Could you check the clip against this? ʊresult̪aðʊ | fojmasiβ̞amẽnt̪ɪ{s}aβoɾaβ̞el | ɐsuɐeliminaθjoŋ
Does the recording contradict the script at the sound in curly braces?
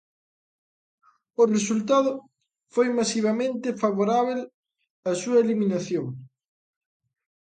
yes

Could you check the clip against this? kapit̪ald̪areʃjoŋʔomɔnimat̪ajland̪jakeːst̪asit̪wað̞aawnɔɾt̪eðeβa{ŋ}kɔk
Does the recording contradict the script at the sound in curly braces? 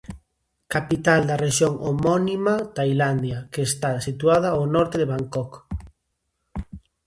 no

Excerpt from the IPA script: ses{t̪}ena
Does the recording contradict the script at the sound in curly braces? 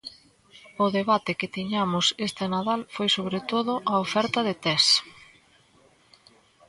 no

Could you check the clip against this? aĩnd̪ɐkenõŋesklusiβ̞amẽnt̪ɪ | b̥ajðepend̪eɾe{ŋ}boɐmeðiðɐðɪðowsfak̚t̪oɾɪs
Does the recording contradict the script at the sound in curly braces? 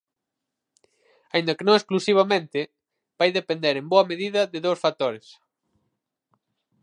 yes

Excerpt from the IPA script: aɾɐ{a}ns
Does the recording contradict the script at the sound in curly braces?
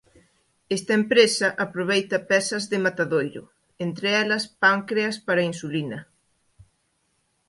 yes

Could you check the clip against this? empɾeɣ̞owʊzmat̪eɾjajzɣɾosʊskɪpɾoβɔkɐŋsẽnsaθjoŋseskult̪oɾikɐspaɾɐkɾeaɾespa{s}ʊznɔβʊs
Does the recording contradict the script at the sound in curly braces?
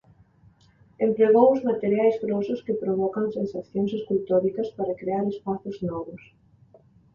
yes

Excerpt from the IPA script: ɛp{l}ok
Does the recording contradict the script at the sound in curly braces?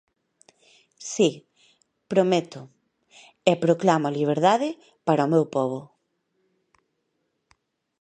yes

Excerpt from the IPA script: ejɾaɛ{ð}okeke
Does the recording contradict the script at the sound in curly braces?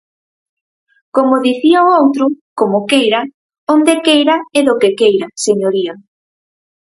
no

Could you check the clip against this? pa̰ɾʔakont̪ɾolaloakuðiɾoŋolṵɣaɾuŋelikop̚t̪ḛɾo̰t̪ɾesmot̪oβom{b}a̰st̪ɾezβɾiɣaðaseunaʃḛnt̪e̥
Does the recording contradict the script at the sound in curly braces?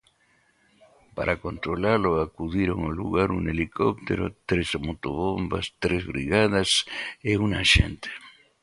no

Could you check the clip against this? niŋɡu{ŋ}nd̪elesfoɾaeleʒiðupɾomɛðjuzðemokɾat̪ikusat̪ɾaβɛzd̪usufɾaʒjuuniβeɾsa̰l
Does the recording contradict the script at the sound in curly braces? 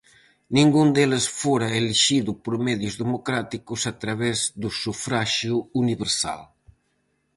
yes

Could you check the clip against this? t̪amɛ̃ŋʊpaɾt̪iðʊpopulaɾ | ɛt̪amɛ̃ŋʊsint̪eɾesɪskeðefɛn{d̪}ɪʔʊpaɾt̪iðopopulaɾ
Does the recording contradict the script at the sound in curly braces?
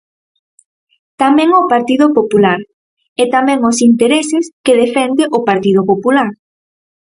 no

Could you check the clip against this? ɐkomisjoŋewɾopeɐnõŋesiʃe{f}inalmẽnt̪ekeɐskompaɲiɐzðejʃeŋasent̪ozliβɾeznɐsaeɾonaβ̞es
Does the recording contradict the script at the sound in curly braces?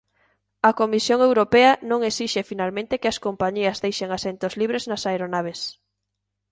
no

